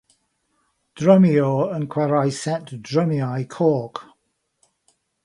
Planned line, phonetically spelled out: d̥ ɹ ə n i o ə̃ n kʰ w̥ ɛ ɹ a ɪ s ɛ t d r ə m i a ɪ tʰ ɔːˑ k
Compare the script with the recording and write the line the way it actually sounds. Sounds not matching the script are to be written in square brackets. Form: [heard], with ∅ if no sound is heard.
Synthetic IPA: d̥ ɹ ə [m] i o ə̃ n kʰ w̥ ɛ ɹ a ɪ s ɛ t d [ɹ] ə m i a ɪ [kʰ] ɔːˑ k